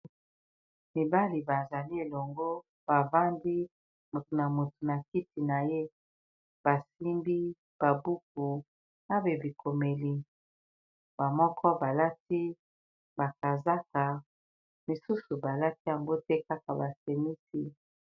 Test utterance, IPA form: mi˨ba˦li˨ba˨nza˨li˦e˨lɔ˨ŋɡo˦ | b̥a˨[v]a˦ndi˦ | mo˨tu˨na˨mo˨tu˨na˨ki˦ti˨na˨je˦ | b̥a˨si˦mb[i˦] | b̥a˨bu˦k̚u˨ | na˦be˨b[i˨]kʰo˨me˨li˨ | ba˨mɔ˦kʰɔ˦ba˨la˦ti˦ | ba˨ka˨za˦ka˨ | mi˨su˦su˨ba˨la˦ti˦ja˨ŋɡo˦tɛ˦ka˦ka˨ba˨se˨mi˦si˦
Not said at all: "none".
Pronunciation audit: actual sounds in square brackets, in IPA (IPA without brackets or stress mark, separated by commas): v, i˦, i˨